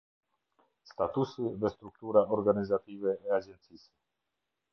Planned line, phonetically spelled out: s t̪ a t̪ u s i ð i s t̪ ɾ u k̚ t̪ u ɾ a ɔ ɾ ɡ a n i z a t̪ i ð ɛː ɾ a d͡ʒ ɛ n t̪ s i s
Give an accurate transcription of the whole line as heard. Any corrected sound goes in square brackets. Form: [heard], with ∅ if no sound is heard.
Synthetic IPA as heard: s t̪ a t̪ u s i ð [ɛ] s t̪ ɾ u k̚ t̪ u ɾ a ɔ ɾ ɡ a n i z a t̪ i [v] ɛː [∅] a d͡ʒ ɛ n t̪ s i s